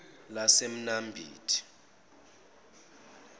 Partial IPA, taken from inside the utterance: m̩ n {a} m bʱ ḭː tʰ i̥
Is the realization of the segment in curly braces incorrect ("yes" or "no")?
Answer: no